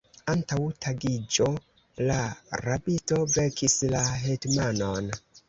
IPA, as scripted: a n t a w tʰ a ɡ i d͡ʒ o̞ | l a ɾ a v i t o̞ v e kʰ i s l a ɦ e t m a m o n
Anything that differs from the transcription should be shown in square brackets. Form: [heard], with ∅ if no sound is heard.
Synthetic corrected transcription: a n t a w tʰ a ɡ i d͡ʒ o̞ | l a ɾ a [b] i t o̞ v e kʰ i s l a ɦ e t m a [n] o n